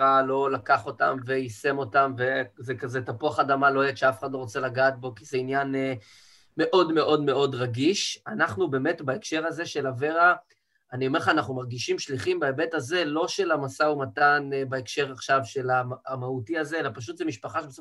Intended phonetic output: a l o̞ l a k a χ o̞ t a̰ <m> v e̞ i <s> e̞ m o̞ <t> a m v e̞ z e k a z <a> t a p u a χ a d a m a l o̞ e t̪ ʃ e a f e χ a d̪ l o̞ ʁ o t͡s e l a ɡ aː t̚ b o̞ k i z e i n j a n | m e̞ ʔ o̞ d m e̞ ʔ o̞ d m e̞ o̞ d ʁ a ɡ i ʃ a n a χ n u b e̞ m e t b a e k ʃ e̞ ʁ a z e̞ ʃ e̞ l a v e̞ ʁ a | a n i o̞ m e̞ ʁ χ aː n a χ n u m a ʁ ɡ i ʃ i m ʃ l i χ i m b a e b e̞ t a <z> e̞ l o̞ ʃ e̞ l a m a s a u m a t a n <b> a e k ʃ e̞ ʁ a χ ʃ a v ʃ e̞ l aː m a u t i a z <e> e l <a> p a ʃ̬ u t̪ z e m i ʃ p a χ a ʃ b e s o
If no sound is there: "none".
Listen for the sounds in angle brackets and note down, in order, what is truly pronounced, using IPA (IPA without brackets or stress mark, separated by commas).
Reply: m, s, t, e, z, b, e, a